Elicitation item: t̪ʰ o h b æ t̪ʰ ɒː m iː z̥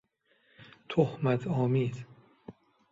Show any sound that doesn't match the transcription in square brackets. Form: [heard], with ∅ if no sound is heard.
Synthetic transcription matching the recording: t̪ʰ o h [m] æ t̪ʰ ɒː m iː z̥